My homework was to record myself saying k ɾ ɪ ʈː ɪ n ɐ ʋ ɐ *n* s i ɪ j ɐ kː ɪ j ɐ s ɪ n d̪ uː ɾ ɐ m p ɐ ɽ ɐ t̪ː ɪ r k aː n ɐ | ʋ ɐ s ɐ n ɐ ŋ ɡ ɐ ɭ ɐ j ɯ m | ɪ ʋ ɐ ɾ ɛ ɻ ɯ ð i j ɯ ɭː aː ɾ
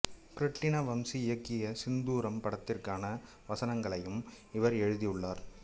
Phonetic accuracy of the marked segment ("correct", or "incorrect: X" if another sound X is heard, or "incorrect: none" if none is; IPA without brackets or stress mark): incorrect: m